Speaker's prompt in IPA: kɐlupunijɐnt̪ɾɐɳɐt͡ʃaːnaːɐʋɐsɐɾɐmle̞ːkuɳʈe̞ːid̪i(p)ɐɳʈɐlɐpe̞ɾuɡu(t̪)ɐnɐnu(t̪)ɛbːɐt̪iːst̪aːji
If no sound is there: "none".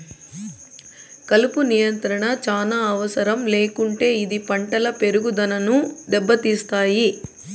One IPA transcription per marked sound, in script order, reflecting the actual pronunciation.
p, d̪, d̪

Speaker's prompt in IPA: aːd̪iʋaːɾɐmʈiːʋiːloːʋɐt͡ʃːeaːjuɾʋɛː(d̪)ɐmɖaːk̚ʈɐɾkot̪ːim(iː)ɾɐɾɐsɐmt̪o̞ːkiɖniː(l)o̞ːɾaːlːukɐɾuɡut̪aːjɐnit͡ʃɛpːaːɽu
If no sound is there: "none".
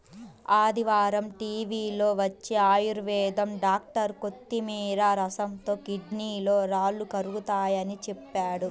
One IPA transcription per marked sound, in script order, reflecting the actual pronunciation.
d̪, iː, l

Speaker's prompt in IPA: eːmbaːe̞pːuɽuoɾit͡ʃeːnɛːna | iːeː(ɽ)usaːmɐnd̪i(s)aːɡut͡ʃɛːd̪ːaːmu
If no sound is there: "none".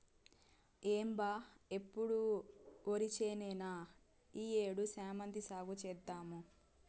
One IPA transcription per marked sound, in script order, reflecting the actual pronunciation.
ɽ, s

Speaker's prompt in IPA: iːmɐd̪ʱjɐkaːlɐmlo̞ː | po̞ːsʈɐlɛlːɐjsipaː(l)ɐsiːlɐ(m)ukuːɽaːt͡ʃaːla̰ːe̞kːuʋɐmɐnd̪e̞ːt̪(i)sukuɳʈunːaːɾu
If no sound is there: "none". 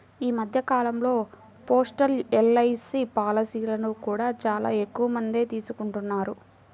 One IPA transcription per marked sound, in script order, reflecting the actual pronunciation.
l, n, iː

